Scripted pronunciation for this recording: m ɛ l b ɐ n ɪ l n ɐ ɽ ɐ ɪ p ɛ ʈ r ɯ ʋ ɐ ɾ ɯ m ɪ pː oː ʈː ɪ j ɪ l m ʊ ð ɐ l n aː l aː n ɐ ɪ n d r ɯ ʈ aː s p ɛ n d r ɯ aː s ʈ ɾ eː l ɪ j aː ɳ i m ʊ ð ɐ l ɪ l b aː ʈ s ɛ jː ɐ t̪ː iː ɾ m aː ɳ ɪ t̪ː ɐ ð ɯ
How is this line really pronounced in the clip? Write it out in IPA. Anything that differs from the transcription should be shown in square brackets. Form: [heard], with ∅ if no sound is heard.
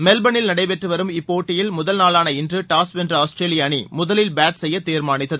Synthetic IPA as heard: m ɛ l b ɐ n ɪ l n ɐ ɽ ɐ ɪ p ɛ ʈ r ɯ ʋ ɐ ɾ ɯ m ɪ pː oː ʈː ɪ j ɪ l m ʊ ð ɐ l n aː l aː n ɐ ɪ n d r ɯ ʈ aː s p ɛ n d r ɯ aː s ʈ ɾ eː l ɪ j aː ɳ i m ʊ ð ɐ l ɪ l b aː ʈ s ɛ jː ɐ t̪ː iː ɾ m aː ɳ ɪ t̪ː ɐ ð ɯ